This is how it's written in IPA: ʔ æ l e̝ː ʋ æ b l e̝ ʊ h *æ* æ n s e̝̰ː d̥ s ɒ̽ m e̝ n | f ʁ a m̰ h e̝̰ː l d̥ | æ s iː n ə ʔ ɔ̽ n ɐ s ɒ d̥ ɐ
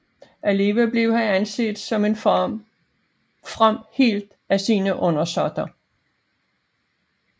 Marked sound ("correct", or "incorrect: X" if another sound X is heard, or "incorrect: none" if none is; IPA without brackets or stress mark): correct